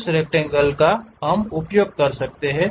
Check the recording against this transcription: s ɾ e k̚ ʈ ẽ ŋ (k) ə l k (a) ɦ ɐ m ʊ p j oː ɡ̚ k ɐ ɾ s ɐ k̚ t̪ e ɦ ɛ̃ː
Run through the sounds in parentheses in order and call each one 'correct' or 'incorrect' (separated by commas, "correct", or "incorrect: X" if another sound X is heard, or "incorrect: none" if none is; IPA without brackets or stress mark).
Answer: incorrect: ɡ, correct